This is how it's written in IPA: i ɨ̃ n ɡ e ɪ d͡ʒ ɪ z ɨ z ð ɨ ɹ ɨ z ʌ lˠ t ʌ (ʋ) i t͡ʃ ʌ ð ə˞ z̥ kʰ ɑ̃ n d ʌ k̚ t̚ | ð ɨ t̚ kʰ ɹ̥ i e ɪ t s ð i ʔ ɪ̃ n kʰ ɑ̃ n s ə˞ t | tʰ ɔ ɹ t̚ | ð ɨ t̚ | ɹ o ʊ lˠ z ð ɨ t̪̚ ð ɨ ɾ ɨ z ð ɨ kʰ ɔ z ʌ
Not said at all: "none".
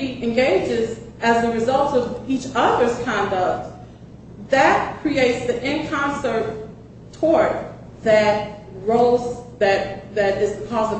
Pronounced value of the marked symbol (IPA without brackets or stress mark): v